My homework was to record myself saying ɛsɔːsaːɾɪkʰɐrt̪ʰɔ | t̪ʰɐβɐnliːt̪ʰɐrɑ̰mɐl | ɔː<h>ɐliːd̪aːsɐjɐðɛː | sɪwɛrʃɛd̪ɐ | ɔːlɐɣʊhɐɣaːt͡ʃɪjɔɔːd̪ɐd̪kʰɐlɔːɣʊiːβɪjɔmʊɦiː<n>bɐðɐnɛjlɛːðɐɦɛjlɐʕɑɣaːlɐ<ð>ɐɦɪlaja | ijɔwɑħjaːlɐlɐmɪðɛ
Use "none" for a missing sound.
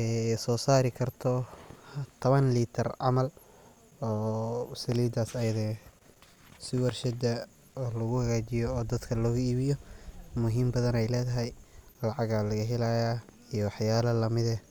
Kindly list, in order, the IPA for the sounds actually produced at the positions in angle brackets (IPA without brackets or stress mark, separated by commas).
s, m, ɣ